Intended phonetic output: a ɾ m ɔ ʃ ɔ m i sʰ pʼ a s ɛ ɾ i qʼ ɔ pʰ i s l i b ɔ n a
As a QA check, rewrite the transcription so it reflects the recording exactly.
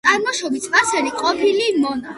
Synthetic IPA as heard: a ɾ m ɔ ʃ ɔ b i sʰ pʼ a s ɛ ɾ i qʼ ɔ pʰ i l i m ɔ n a